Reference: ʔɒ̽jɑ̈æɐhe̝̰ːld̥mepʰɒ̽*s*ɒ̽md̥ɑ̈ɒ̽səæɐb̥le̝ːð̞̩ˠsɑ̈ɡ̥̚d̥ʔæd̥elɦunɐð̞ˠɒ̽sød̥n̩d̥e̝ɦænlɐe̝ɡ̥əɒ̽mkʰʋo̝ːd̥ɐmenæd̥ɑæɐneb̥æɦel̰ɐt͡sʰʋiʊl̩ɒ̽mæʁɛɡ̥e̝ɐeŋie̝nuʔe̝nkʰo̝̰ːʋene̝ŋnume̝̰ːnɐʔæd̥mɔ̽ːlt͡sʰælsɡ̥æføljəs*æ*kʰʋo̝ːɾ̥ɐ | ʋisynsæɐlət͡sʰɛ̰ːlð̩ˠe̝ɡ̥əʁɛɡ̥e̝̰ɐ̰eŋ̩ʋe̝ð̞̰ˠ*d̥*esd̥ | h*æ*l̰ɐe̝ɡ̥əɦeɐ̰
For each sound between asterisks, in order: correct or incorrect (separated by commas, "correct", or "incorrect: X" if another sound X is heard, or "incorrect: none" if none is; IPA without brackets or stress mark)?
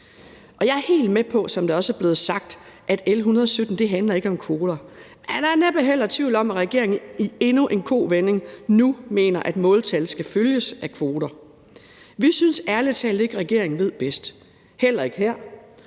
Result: correct, correct, incorrect: b̥, incorrect: e